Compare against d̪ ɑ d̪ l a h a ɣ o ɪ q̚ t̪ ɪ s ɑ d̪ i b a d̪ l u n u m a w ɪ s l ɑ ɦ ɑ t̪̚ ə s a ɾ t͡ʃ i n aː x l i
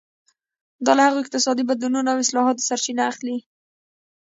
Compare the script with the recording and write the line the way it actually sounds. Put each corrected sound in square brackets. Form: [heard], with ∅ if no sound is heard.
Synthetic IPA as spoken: d̪ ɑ [∅] l a h a ɣ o ɪ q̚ t̪ ɪ s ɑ d̪ i b a d̪ l u n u [n] a w ɪ s l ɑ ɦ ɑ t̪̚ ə s a ɾ t͡ʃ i n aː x l i